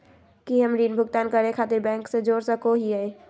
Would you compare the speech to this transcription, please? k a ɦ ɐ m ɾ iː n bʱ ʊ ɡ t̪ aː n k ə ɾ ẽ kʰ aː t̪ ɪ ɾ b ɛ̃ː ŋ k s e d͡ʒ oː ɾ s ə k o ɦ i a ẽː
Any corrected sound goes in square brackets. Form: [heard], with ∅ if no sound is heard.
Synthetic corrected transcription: k [i] ɦ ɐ m ɾ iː n bʱ ʊ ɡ t̪ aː n k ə ɾ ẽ kʰ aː t̪ ɪ ɾ b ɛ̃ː ŋ k s e d͡ʒ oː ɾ s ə k o ɦ i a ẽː